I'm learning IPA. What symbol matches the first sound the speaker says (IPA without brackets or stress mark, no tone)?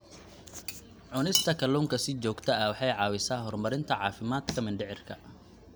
ʕ